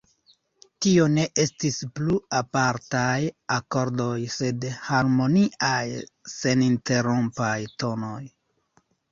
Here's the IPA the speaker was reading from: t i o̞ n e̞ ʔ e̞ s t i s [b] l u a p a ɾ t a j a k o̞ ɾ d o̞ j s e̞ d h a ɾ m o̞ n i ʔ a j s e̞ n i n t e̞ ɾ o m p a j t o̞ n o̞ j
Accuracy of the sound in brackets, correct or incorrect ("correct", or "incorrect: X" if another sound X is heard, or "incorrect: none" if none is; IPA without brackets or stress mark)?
incorrect: p